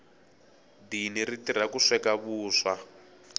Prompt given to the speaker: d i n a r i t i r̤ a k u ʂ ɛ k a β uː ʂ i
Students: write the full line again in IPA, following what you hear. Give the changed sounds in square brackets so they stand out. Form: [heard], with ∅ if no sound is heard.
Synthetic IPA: d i n [i] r i t i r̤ a k u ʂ ɛ k a β uː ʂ [a]